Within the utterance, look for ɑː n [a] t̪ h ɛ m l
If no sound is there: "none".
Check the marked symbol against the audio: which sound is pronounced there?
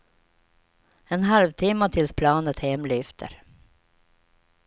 ə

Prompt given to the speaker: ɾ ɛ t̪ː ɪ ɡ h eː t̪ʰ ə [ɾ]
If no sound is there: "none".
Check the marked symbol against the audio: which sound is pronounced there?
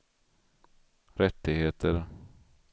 ɾ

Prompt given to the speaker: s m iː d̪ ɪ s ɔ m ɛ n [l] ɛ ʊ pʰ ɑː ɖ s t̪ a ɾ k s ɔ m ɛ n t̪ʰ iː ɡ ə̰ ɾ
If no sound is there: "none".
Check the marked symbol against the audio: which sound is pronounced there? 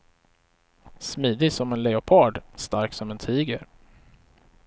l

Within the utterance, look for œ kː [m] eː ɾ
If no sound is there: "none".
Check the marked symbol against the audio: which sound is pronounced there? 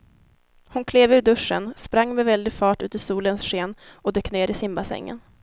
n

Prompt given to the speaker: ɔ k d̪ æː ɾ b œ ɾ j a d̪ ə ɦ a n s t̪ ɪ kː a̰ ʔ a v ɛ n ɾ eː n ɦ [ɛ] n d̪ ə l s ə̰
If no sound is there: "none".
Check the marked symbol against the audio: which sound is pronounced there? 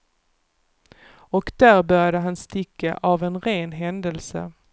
ɛ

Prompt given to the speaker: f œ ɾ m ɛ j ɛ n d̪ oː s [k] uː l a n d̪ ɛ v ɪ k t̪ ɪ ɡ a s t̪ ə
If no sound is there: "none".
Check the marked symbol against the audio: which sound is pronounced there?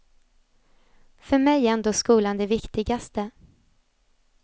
k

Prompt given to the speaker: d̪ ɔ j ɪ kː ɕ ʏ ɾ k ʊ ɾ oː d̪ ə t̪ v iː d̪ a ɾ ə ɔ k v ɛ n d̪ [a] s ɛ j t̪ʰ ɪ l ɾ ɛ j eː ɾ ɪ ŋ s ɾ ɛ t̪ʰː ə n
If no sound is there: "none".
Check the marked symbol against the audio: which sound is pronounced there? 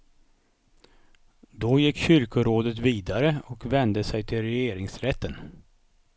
ə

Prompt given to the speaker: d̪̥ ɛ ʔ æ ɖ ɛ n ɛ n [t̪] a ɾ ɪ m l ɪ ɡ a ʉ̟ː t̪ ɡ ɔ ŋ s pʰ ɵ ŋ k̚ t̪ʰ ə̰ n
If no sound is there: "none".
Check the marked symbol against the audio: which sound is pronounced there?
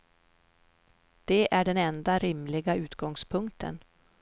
d̪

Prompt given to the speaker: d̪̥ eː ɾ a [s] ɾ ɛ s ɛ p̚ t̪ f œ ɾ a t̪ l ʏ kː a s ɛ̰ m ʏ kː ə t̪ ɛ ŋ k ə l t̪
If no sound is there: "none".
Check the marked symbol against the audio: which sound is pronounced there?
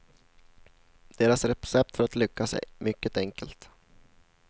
s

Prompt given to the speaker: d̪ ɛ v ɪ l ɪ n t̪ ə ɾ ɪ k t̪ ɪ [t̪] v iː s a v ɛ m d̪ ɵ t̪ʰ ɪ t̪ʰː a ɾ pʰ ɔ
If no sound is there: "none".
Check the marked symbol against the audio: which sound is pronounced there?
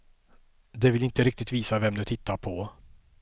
t̪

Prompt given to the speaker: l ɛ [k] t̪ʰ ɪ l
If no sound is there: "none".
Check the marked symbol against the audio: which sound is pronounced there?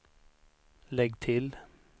ɡ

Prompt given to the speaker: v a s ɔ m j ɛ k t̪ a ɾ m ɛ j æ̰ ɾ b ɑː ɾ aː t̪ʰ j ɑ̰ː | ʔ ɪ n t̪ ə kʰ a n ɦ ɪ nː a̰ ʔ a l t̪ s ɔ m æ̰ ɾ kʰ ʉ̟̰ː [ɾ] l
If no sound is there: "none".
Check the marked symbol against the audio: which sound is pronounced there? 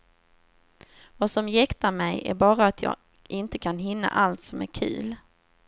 none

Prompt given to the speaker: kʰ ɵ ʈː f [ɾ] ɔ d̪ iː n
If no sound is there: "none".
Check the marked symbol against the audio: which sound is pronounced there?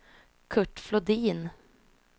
l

